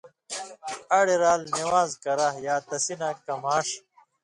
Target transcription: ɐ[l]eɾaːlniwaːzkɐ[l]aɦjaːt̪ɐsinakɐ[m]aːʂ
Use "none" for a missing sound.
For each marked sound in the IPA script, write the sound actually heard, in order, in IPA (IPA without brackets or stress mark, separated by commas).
ɽ, ɾ, m